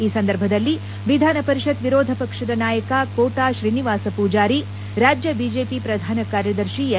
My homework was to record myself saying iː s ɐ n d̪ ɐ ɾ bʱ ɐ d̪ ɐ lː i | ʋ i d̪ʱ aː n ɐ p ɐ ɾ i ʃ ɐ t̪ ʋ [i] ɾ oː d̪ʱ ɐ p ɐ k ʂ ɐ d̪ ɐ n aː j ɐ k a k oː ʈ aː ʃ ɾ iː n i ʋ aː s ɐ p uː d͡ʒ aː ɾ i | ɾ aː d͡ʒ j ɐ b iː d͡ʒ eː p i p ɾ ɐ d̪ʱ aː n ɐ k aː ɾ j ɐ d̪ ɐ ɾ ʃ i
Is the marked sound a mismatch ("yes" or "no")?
no